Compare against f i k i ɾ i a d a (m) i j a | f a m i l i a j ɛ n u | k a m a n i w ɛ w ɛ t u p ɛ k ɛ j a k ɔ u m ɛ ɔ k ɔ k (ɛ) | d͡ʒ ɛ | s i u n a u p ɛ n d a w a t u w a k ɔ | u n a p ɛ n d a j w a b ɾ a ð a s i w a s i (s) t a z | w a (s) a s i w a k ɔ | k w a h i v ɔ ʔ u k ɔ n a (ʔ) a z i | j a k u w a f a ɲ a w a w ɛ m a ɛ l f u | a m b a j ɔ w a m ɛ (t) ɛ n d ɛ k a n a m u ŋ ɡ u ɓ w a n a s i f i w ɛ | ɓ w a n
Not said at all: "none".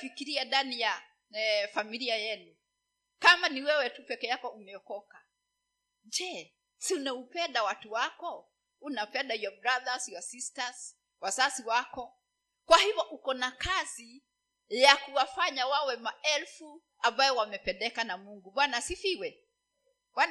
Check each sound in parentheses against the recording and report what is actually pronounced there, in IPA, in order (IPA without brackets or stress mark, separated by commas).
n, a, s, s, k, p